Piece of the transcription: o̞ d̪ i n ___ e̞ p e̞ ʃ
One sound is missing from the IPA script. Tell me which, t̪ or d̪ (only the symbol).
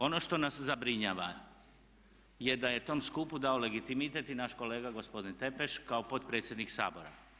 t̪